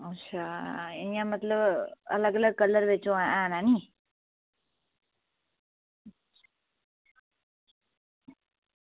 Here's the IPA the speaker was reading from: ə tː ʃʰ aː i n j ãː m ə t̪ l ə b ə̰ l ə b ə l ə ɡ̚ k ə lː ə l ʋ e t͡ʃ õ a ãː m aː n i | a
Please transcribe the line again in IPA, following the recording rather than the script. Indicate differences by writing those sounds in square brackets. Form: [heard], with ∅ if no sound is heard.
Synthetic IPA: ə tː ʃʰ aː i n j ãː m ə t̪ l ə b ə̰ l ə [ɡ] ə l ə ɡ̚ k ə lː ə [ɾ] ʋ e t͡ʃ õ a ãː [n] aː n i | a